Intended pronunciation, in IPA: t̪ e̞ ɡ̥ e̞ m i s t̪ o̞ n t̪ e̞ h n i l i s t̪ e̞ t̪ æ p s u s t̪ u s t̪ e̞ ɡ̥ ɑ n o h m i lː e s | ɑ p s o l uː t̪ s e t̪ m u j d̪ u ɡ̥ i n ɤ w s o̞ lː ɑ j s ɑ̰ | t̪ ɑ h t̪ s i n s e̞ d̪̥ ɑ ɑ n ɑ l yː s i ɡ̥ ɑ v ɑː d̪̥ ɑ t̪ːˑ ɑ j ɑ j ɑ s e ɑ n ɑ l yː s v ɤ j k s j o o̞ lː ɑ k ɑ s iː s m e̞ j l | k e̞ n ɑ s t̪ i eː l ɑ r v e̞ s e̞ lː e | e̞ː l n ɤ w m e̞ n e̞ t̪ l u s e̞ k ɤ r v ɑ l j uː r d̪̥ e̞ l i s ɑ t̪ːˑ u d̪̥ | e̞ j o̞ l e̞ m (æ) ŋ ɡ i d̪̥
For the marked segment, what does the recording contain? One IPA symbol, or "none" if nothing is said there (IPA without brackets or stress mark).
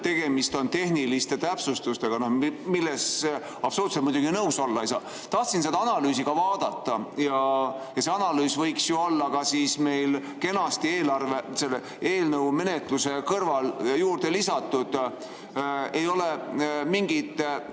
i